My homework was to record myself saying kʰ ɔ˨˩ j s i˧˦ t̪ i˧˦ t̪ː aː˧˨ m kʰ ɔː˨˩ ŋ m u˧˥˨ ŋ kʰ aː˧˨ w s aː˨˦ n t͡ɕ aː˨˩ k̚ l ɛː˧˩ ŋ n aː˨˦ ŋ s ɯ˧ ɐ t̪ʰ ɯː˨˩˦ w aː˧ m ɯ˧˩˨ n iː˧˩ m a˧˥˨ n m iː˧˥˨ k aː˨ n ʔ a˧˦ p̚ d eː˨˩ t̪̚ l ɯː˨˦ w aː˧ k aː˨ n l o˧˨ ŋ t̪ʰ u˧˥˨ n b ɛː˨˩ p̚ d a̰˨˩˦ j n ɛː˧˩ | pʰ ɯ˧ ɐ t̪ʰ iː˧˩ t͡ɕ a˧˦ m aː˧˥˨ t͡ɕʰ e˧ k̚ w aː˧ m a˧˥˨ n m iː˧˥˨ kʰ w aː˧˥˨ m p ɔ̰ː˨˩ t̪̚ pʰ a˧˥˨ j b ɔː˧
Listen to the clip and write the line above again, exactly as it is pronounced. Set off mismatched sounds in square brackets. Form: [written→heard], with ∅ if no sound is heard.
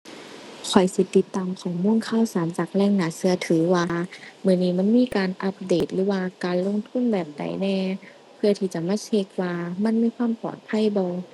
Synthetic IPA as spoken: kʰ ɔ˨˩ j s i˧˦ t̪ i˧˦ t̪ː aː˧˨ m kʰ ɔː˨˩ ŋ m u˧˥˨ ŋ kʰ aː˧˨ w s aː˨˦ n t͡ɕ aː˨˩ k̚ l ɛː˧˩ ŋ n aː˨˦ [ŋ→∅] s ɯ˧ ɐ t̪ʰ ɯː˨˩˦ w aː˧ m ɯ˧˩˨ n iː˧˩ m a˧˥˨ n m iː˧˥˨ k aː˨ n ʔ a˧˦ p̚ d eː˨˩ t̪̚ l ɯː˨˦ w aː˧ k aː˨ n l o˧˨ ŋ t̪ʰ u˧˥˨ n b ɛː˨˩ p̚ d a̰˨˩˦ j n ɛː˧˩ | pʰ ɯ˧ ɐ t̪ʰ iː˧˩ t͡ɕ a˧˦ m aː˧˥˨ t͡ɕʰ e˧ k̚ w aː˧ m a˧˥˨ n m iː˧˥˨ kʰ w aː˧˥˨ m p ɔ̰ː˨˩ t̪̚ pʰ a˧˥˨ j b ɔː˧